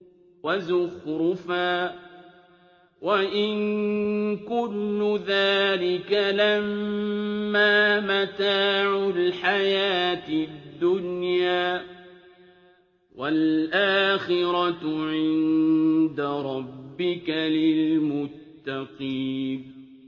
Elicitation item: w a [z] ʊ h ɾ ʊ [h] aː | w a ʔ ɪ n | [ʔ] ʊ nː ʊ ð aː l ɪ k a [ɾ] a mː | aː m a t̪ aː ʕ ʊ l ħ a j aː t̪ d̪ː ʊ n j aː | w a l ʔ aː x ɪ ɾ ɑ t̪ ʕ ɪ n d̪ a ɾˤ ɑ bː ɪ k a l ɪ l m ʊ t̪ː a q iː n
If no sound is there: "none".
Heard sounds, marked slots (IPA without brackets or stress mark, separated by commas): z, f, k, l